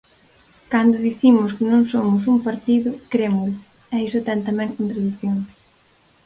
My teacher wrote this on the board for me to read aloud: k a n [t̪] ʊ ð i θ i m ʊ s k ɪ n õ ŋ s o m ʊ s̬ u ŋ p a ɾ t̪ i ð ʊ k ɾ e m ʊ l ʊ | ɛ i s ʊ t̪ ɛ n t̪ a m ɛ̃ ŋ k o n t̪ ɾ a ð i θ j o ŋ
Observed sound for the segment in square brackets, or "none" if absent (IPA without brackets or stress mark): d̪